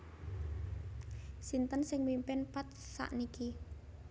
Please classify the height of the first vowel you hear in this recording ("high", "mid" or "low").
high